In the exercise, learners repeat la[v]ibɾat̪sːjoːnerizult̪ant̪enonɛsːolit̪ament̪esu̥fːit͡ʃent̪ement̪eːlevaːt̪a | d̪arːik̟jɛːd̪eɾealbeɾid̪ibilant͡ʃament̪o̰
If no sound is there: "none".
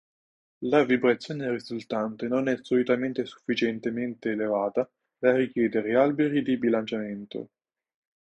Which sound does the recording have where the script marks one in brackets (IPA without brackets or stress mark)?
v